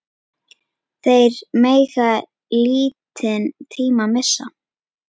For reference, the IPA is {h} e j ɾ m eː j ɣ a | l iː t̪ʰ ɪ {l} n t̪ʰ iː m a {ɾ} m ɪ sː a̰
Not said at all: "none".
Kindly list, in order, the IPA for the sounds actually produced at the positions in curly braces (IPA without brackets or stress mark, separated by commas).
θ, none, none